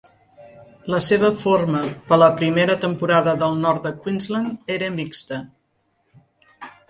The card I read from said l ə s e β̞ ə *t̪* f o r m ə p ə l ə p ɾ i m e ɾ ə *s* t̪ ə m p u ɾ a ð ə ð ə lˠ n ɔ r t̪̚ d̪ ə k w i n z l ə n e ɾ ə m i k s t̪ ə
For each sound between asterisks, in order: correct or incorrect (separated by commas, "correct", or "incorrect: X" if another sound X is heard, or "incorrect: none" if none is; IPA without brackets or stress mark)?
incorrect: none, incorrect: none